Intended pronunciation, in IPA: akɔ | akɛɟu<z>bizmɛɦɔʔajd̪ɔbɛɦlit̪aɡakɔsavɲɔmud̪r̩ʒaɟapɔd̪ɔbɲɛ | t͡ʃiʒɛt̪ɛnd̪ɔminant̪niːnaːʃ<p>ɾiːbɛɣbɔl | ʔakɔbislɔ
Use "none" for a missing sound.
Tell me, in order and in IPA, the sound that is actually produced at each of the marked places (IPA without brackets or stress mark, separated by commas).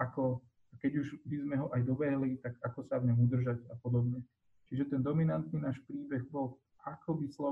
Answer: ʒ, p